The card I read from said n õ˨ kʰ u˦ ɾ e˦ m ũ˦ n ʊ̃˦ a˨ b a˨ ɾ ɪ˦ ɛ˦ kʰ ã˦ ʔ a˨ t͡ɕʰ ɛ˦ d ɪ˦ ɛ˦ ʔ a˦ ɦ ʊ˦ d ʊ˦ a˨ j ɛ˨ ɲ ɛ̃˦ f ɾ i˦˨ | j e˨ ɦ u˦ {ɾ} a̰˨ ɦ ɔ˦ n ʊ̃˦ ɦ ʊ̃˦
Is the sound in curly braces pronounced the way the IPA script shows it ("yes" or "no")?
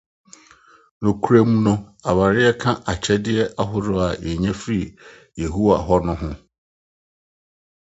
no